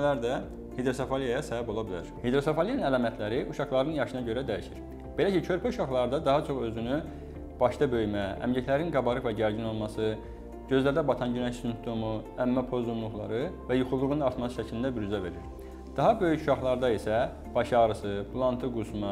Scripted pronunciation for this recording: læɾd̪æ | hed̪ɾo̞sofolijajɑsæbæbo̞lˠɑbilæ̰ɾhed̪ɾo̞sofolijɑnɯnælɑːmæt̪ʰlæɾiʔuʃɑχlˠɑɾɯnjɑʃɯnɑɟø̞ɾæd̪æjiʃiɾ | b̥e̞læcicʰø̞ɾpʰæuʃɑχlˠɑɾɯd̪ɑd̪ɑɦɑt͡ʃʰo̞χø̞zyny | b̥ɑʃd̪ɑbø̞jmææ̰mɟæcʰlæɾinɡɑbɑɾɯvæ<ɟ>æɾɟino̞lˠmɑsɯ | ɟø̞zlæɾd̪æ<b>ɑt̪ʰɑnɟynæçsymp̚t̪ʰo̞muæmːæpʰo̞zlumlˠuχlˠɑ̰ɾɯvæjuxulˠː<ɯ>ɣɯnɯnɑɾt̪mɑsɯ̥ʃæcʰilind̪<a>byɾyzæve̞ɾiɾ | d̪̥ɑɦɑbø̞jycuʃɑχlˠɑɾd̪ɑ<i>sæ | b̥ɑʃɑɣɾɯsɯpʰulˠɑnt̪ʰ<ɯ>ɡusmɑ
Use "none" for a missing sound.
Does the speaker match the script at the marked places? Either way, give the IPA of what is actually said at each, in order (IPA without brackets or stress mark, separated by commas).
ɟ, b, u, æ, i, ɯ